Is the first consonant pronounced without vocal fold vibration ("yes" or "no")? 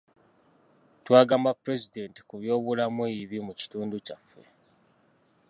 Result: yes